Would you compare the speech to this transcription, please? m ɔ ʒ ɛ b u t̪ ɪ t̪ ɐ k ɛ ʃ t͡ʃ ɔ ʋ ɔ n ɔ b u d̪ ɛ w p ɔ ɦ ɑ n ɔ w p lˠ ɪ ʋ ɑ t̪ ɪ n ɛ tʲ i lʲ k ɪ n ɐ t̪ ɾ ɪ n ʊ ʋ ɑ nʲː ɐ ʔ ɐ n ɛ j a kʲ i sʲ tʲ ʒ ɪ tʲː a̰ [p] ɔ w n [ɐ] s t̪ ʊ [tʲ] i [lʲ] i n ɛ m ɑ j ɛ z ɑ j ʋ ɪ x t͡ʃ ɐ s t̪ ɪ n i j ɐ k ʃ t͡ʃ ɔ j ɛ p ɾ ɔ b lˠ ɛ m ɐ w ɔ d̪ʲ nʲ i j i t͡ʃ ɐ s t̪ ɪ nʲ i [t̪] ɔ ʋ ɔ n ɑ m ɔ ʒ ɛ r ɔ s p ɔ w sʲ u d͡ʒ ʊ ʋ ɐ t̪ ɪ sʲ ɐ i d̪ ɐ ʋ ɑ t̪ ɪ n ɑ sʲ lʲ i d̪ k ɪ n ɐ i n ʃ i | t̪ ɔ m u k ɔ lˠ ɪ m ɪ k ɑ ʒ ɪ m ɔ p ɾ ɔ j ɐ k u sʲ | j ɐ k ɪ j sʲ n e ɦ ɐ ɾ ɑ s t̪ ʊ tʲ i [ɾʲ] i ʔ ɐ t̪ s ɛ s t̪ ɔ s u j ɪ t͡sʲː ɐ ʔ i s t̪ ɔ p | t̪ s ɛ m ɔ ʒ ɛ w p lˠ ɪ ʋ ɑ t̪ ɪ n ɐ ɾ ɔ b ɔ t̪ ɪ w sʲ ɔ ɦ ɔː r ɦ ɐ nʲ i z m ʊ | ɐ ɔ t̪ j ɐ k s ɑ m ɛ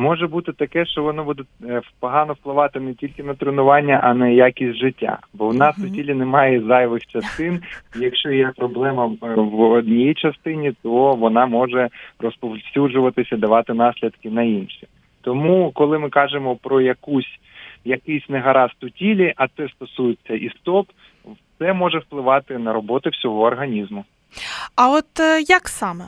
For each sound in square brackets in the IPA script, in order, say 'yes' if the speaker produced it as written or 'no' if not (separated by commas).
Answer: no, no, yes, yes, yes, no